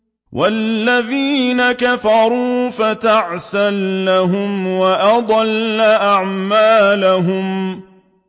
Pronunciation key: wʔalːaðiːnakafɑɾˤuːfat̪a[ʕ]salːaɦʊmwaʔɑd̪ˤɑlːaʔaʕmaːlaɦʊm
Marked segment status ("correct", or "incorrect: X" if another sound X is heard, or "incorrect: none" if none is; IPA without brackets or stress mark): correct